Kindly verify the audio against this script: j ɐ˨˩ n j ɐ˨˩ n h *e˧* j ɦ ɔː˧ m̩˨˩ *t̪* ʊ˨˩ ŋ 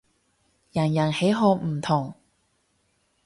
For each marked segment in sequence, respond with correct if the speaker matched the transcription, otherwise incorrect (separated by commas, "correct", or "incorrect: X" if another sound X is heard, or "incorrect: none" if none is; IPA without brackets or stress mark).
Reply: incorrect: e˨˥, incorrect: t̪ʰ